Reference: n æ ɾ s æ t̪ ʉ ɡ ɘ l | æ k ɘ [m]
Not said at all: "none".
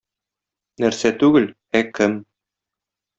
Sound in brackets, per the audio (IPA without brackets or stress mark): m